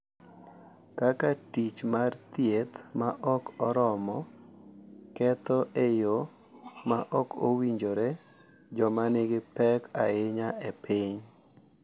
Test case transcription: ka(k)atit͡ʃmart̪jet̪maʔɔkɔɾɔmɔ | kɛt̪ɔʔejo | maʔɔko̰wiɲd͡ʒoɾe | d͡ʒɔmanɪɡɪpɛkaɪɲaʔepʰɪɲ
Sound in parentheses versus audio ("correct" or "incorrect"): correct